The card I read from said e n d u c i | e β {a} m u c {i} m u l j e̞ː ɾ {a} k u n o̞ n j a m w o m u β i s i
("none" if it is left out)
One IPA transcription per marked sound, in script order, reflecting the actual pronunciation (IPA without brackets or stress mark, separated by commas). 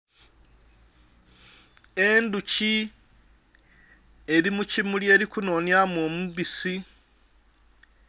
i, i, i